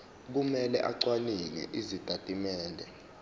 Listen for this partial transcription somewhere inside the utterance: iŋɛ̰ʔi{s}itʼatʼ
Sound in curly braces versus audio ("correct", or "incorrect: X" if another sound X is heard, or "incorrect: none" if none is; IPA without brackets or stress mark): incorrect: z